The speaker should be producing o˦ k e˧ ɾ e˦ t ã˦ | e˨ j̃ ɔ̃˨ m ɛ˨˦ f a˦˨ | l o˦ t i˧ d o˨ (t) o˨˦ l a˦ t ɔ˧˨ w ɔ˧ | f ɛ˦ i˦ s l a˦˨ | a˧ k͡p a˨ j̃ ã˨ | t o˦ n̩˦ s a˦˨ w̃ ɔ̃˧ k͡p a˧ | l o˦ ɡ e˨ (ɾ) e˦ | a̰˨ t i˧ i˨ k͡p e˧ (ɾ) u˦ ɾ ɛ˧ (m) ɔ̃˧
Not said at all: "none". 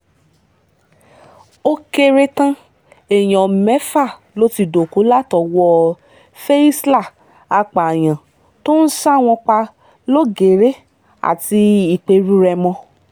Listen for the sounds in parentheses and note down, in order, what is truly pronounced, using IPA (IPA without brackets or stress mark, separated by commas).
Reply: k, ɾ, ɾ, m